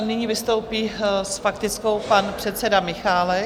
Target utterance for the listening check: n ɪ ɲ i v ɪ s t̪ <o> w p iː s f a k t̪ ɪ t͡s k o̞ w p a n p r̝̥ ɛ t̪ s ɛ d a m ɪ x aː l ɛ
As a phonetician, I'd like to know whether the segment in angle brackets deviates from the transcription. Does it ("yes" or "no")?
no